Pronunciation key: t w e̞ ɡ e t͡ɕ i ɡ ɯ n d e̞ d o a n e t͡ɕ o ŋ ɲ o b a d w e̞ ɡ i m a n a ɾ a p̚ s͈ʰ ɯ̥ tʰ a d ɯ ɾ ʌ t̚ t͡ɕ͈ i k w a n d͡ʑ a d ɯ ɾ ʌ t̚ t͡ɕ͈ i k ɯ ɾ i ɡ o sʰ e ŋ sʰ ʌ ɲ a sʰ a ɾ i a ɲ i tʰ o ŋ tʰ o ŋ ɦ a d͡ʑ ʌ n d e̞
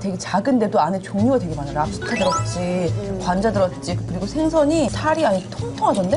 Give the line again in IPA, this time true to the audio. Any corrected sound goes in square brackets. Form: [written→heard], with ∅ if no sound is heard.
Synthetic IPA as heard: t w e̞ ɡ e t͡ɕ [i→a] ɡ ɯ n d e̞ d o a n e t͡ɕ o ŋ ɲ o [b→ɡ] a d w e̞ ɡ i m a n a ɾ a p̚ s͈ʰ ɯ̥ tʰ a d ɯ ɾ ʌ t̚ t͡ɕ͈ i k w a n d͡ʑ a d ɯ ɾ ʌ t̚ t͡ɕ͈ i k ɯ ɾ i ɡ o sʰ e ŋ sʰ ʌ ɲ [a→i] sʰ a ɾ i a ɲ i tʰ o ŋ tʰ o ŋ ɦ a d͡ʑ ʌ n d e̞